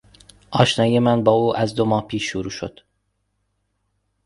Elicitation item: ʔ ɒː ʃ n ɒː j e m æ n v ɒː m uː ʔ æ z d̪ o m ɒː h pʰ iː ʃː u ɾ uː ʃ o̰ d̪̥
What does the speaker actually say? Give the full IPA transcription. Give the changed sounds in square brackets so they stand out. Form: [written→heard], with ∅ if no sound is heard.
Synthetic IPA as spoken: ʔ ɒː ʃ n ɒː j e m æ n [v→b] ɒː [m→∅] uː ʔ æ z d̪ o m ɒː h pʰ iː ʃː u ɾ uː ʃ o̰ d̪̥